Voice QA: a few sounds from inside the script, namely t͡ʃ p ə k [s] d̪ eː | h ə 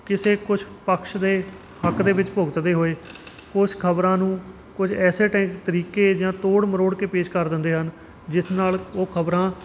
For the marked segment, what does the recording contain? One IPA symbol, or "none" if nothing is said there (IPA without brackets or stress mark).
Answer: ʃ